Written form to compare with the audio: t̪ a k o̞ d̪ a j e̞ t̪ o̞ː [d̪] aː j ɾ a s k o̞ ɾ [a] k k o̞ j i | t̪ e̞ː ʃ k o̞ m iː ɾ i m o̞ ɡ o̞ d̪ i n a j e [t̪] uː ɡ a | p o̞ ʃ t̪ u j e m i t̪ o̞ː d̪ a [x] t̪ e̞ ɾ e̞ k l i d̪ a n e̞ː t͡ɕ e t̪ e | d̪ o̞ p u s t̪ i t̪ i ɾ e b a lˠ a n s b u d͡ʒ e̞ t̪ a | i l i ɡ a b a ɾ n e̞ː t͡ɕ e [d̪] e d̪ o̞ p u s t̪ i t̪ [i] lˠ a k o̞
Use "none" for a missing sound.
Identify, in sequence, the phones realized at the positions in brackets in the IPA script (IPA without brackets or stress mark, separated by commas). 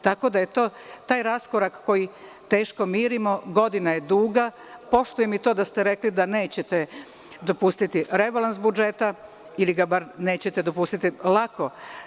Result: t̪, a, d̪, s, t̪, i